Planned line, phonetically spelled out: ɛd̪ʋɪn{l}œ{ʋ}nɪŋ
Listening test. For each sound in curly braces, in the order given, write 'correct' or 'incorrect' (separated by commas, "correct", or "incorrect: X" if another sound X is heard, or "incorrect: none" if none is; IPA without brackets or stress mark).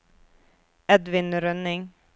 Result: incorrect: ɾ, incorrect: none